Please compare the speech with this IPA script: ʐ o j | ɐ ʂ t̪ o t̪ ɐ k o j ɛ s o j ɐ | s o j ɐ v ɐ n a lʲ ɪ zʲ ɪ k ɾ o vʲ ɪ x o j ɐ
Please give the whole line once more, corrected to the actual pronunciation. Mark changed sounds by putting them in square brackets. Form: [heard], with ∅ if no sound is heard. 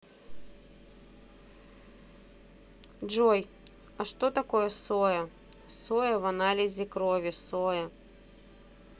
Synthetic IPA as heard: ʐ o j | ɐ ʂ t̪ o t̪ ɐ k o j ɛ s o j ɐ | s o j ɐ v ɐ n a lʲ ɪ zʲ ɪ k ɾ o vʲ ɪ [s] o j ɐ